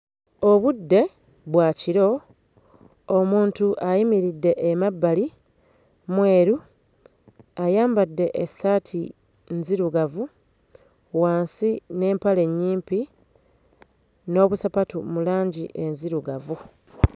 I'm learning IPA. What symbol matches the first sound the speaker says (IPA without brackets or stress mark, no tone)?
o